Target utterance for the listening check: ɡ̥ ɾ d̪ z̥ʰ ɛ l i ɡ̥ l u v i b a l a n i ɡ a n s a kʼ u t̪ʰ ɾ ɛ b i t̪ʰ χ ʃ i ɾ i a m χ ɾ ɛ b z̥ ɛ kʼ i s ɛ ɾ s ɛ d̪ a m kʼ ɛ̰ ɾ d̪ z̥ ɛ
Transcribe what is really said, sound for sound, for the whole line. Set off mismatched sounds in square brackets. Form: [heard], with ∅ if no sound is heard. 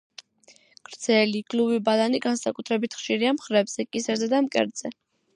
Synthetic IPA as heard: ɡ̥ ɾ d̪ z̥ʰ ɛ l i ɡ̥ l u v i b a l a n i ɡ a n s a kʼ u t̪ʰ ɾ ɛ b i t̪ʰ χ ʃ i ɾ i a m χ ɾ ɛ b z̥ ɛ kʼ i s ɛ ɾ [z] ɛ d̪ a m kʼ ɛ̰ ɾ d̪ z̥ ɛ